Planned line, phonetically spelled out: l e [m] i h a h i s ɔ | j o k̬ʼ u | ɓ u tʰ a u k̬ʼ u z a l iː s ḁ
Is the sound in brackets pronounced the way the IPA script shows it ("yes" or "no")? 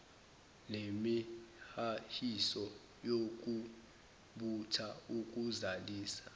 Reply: yes